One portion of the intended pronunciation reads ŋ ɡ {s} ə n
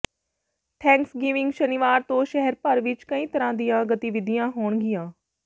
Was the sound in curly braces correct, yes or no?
no